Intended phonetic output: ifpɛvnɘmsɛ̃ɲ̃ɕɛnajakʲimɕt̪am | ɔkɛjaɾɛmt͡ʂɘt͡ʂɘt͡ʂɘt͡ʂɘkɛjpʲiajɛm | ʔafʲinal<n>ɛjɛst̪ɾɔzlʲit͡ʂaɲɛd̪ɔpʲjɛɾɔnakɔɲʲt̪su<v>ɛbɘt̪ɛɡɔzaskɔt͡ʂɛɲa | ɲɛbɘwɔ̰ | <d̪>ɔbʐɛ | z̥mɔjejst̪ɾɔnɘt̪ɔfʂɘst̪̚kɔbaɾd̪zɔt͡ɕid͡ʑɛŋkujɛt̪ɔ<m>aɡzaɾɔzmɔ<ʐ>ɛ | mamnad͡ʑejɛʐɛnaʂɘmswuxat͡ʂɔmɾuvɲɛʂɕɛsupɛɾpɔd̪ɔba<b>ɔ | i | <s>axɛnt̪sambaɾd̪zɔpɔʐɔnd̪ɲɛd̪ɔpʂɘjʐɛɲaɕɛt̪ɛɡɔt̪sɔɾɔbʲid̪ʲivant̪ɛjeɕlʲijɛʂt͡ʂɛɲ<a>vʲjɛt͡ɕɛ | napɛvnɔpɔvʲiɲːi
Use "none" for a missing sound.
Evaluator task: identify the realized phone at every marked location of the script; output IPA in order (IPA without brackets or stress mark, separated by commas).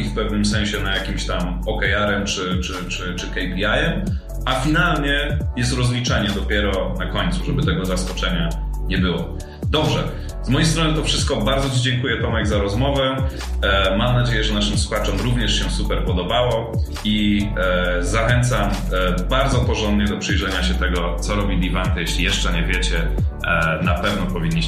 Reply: ɲ, ʐ, d̪, m, v, w, z, ɛ